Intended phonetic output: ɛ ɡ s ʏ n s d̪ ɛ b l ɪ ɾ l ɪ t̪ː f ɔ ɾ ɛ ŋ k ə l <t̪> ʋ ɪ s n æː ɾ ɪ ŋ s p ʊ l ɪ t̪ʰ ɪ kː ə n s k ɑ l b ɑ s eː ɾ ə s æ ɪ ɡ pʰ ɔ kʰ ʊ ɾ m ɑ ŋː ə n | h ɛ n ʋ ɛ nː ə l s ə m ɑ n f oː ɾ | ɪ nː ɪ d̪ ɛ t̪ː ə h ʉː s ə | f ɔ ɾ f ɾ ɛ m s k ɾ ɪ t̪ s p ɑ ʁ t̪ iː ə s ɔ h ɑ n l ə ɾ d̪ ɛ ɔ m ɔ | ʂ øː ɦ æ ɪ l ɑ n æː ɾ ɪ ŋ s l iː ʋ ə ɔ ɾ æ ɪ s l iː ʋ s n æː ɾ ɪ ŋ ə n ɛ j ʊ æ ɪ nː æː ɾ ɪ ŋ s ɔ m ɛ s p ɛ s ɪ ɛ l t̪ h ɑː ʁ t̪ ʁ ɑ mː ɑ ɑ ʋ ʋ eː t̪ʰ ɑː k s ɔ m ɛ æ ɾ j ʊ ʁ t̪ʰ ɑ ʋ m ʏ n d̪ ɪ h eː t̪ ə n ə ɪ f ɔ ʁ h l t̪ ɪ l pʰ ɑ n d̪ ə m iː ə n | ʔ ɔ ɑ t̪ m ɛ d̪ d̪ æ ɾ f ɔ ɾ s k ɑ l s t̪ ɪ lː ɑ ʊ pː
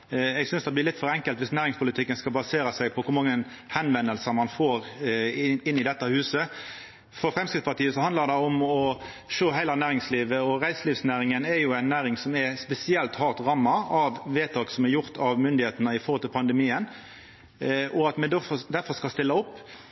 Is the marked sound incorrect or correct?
correct